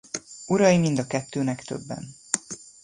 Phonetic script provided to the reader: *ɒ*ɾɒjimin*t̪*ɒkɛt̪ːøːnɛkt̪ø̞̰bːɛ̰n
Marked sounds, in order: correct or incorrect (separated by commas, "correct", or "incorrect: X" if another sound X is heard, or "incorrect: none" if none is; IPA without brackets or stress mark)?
incorrect: u, incorrect: d̪